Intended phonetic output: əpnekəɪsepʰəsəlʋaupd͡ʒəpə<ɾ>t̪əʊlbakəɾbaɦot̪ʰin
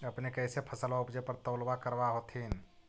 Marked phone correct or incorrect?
correct